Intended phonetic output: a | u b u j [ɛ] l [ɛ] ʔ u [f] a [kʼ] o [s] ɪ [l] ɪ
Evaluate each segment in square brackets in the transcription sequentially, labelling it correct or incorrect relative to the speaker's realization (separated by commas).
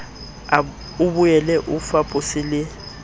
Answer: correct, correct, correct, incorrect, correct, correct